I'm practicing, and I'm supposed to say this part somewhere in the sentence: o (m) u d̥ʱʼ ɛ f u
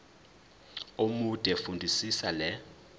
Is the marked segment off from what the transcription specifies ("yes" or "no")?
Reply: no